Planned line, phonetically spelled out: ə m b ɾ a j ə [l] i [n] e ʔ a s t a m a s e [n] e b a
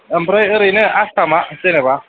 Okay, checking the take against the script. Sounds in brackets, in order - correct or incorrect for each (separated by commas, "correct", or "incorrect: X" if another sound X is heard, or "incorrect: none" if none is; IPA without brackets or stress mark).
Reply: incorrect: ɾ, correct, correct